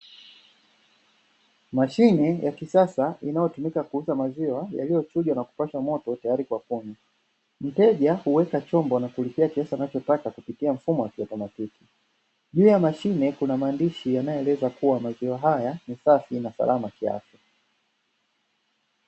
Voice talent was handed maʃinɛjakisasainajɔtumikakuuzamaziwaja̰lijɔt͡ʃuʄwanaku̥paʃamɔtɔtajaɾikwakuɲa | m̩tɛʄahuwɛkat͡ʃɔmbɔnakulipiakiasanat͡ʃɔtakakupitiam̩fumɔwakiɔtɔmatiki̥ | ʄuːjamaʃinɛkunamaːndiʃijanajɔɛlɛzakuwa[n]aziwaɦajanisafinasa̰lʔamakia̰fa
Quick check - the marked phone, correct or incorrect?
incorrect